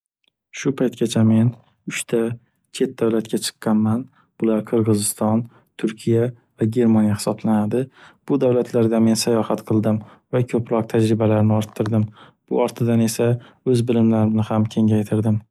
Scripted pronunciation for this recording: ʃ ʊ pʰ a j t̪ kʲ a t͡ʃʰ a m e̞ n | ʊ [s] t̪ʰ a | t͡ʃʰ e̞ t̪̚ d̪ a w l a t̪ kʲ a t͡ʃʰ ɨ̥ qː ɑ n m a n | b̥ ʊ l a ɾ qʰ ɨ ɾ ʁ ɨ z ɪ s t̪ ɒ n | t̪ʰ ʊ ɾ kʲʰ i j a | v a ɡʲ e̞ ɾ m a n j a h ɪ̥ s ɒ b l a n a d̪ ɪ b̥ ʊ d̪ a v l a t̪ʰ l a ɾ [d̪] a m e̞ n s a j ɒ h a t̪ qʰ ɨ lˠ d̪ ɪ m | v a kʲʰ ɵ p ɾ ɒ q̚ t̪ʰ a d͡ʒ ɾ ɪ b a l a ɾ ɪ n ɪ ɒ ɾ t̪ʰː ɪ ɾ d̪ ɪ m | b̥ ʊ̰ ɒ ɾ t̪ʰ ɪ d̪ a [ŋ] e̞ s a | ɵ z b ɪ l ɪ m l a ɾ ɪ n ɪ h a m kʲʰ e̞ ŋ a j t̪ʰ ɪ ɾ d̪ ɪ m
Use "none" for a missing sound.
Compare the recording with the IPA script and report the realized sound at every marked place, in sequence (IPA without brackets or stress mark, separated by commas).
ʃ, d̪, n